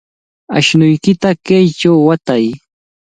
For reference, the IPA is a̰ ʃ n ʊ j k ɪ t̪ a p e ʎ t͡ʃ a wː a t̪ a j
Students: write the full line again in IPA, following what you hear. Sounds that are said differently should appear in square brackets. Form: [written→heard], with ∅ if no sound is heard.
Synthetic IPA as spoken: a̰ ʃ n ʊ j k ɪ t̪ a [p→k] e [ʎ→j] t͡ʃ a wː a t̪ a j